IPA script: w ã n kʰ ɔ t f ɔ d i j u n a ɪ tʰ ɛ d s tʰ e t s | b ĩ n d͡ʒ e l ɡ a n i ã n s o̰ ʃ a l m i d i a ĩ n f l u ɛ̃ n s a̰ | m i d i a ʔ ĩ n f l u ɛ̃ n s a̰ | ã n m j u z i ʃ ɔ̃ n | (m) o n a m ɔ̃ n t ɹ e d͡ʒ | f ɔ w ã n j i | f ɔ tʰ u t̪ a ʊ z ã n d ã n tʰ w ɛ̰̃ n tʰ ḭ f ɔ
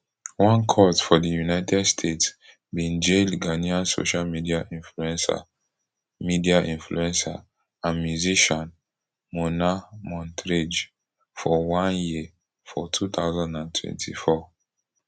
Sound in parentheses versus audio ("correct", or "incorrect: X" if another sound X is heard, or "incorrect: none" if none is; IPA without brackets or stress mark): correct